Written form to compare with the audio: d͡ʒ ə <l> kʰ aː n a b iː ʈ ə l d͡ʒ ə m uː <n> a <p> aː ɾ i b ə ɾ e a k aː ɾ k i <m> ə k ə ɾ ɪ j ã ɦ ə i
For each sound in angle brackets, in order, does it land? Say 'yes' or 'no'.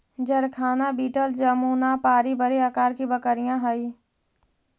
no, yes, yes, no

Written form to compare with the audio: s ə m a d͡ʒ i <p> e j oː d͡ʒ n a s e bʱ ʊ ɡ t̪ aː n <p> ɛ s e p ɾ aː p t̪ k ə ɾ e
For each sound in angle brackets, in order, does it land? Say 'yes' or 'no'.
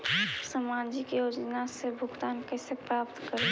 no, no

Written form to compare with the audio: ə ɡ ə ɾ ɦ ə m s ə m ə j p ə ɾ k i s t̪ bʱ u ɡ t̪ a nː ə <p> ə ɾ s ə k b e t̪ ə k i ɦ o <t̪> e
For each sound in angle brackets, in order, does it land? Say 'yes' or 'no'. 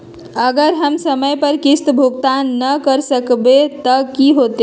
no, yes

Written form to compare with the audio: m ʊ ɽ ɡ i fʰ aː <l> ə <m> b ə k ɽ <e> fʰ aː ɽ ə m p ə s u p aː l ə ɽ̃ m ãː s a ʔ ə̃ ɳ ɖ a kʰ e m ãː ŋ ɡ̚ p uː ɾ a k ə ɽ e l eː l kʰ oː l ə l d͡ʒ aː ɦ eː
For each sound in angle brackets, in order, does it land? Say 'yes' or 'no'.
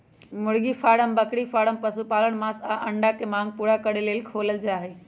no, yes, no

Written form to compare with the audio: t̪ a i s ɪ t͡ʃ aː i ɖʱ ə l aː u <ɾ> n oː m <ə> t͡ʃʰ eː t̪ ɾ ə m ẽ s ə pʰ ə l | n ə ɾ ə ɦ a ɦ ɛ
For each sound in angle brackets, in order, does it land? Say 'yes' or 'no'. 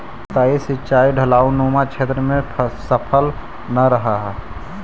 no, no

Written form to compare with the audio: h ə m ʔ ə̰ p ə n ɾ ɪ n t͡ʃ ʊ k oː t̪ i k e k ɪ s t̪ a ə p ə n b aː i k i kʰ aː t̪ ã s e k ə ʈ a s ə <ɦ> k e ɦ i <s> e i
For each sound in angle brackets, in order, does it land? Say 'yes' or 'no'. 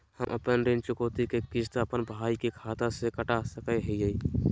no, no

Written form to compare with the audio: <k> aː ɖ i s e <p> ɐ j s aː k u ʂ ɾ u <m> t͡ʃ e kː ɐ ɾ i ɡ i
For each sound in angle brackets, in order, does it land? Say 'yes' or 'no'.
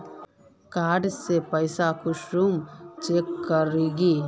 yes, yes, yes

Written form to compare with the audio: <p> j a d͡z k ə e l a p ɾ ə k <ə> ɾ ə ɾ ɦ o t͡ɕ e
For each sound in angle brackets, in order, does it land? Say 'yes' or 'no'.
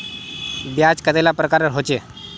no, no

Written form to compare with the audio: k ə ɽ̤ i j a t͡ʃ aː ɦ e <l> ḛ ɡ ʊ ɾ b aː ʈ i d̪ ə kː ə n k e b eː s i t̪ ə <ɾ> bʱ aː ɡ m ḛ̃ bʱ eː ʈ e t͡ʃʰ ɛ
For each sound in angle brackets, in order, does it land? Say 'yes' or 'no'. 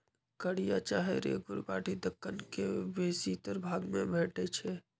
no, yes

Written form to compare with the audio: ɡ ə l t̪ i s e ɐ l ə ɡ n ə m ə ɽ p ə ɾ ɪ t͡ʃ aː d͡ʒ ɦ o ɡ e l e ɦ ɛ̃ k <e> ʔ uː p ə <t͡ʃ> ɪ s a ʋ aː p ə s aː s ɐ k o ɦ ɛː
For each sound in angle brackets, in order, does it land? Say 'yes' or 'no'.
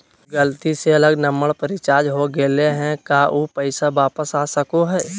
no, no

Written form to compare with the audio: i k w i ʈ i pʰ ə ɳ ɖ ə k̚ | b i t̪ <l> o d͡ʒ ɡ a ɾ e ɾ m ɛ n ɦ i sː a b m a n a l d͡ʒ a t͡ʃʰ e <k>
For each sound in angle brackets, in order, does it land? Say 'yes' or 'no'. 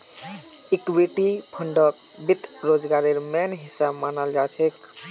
no, yes

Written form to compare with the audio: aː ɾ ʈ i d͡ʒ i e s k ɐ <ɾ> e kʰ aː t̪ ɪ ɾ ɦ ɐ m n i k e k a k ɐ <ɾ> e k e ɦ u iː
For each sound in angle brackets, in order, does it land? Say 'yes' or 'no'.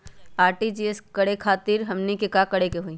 no, no

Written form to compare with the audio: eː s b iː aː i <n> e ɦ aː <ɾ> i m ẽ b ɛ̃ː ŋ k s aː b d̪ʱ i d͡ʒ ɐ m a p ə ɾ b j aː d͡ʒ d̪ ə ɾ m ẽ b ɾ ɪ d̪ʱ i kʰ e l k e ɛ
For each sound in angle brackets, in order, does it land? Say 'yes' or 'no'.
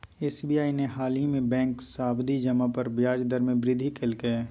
yes, no

